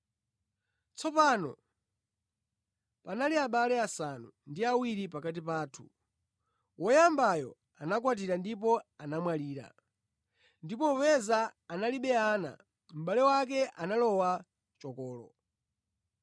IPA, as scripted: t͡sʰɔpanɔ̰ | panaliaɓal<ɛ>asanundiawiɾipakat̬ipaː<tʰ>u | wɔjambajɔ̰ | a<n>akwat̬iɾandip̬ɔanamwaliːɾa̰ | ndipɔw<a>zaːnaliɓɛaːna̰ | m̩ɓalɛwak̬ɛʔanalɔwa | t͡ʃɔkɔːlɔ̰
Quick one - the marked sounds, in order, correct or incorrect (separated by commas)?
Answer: correct, correct, correct, incorrect